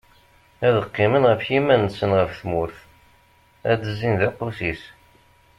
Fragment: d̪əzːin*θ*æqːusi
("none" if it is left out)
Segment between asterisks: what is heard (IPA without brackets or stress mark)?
ð